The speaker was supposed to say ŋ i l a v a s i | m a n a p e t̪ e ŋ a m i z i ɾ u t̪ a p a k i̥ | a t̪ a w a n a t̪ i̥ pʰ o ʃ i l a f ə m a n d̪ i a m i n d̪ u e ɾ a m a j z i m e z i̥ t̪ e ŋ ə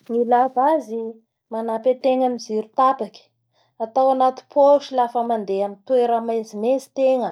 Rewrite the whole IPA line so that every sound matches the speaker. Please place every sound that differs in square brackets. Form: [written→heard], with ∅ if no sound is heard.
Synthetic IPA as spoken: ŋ i l a v a [s→z] i | m a n a p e t̪ e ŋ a m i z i ɾ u t̪ a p a k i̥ | a t̪ a w a n a t̪ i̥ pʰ o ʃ i l a f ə m a n d̪ [i→e] a m i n [d̪→t̪] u e ɾ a m a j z i m e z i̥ t̪ e ŋ ə